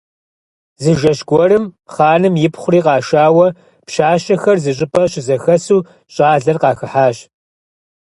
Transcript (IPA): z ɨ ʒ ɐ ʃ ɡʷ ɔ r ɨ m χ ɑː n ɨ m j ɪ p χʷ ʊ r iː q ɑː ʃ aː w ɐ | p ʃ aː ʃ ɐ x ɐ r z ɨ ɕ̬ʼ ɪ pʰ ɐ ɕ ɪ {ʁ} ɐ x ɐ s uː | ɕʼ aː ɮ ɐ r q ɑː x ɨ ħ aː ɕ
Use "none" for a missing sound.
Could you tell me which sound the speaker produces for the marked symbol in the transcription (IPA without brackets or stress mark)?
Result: z